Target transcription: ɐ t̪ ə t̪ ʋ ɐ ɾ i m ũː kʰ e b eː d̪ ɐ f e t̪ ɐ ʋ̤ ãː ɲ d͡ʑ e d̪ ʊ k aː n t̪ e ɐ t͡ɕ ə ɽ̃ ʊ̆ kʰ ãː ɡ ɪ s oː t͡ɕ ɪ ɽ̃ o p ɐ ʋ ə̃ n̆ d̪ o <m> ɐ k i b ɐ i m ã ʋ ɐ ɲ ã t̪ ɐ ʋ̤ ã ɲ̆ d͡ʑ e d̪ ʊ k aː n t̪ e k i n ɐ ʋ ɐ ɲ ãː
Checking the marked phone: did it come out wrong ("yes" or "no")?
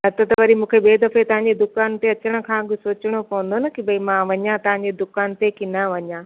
yes